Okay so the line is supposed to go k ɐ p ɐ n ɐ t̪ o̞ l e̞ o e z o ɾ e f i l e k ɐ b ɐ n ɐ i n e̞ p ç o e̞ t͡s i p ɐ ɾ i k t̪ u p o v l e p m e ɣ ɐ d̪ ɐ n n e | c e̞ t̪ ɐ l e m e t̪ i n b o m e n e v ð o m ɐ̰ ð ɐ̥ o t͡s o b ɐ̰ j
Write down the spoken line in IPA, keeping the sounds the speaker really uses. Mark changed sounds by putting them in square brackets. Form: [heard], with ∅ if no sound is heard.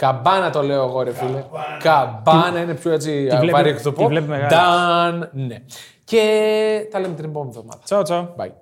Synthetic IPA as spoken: k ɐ [b] ɐ n ɐ t̪ o̞ l e̞ o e [ɣ] o ɾ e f i l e k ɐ b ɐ n ɐ i n e̞ p ç o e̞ t͡s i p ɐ ɾ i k t̪ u p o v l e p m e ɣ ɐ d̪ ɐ n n e | c e̞ t̪ ɐ l e m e t̪ i n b o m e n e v ð o m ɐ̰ ð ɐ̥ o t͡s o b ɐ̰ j